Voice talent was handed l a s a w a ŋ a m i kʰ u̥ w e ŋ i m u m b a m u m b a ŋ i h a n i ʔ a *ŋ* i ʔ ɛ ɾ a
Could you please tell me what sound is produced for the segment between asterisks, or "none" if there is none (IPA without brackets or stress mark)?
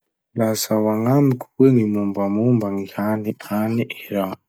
n